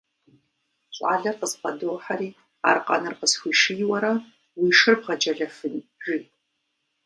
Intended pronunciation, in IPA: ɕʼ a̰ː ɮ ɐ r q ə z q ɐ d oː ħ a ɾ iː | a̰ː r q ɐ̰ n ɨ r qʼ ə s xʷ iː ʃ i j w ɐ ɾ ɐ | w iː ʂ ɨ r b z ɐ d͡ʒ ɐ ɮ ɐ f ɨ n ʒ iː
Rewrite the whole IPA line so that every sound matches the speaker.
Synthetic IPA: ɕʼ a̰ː ɮ ɐ r q ə z q ɐ d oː ħ a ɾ iː | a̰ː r q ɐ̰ n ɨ r q ə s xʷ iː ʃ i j w ɐ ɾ ɐ | w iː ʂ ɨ r b ʁ ɐ d͡ʒ ɐ ɮ ɐ f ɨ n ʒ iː